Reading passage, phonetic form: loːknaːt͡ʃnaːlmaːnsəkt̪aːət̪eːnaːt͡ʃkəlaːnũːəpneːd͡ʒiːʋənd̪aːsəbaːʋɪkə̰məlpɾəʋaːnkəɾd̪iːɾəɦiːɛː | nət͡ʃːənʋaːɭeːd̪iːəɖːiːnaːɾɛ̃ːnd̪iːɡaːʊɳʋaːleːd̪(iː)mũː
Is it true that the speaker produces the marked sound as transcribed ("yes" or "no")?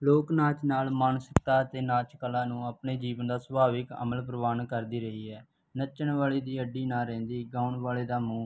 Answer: no